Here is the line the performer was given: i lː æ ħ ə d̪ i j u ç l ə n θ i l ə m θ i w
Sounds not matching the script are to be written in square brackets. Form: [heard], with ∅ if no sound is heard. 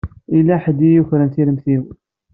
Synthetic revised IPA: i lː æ ħ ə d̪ i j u ç [ɾ] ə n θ i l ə m θ i w